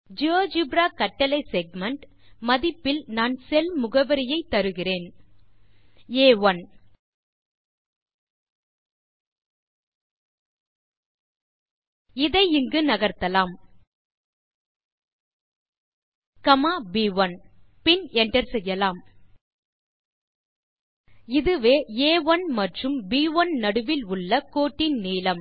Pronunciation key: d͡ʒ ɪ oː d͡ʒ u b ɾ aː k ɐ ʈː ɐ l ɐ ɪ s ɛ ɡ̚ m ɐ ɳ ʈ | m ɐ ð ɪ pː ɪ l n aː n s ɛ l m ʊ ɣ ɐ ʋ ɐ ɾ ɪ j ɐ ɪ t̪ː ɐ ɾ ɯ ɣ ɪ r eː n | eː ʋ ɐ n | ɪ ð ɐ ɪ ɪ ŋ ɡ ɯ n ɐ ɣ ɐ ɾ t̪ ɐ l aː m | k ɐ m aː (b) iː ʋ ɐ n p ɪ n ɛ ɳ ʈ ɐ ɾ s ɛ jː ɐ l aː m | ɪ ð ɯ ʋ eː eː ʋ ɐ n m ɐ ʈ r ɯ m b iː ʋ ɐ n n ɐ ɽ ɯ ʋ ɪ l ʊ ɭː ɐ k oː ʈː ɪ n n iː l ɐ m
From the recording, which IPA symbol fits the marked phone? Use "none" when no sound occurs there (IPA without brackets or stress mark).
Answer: b